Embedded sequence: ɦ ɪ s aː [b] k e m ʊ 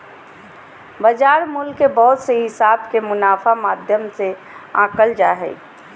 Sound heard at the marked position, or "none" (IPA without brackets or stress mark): b